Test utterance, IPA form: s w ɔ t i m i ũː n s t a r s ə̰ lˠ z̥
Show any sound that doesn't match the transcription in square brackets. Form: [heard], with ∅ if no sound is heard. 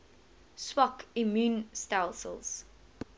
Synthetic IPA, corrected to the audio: s w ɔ [k] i m [j] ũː n s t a [l] s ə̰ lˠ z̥